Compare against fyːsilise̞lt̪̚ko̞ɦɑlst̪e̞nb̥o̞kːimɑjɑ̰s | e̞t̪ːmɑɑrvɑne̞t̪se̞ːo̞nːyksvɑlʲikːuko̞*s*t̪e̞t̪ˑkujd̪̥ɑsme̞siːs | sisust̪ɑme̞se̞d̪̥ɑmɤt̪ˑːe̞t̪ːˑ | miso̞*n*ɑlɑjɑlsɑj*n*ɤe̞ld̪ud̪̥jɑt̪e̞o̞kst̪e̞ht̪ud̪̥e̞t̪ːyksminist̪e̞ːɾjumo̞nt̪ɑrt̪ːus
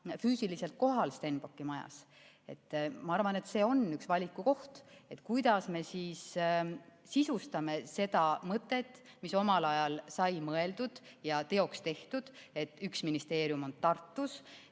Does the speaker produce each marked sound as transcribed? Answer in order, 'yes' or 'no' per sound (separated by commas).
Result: no, no, no